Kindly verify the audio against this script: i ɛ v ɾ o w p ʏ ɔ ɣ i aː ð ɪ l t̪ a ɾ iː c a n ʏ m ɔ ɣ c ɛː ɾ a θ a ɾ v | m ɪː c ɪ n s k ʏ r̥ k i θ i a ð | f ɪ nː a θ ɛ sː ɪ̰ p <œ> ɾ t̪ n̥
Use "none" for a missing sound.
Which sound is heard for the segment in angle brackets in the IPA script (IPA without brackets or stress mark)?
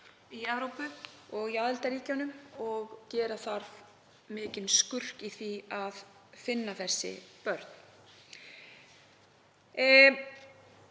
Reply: œ